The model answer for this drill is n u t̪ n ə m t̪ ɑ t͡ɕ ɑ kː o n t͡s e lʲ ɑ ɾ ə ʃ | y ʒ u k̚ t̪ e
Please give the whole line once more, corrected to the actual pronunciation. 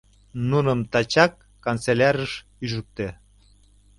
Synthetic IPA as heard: n u n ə m t̪ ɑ t͡ɕ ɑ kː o n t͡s e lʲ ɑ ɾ ə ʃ | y ʒ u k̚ t̪ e